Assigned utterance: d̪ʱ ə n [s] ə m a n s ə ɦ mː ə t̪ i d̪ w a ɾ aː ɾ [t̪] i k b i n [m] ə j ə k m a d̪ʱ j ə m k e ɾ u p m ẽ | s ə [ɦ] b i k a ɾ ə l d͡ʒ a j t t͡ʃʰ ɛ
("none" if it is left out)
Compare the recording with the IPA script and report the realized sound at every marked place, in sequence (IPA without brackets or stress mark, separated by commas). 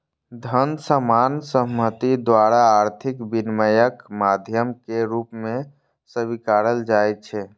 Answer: s, t̪ʰ, m, none